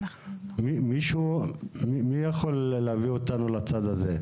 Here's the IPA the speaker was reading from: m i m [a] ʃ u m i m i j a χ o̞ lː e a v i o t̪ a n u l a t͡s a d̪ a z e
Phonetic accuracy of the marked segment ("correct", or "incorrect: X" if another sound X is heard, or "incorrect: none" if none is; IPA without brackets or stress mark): incorrect: i